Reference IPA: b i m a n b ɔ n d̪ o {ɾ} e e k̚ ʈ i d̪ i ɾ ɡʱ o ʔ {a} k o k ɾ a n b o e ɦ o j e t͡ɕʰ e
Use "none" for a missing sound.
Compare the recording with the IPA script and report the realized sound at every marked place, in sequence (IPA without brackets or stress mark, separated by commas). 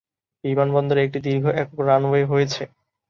ɾ, ɛ